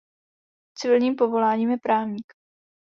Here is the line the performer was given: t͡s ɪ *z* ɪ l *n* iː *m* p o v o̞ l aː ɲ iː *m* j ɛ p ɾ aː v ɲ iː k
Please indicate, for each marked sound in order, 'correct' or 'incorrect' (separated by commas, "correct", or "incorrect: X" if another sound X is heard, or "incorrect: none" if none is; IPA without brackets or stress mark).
incorrect: v, incorrect: ɲ, correct, correct